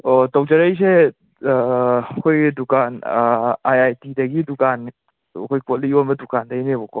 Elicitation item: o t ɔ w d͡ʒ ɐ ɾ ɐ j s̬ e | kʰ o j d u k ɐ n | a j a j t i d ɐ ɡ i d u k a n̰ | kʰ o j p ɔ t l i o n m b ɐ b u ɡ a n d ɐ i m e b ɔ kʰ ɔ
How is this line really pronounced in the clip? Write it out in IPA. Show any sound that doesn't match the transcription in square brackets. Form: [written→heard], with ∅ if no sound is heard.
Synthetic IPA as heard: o t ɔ w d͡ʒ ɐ ɾ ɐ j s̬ e | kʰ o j d u k [ɐ→a] n | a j a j t i d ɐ ɡ i d u k a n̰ | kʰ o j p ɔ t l i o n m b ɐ [b→d] u [ɡ→k] a n d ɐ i [m→n] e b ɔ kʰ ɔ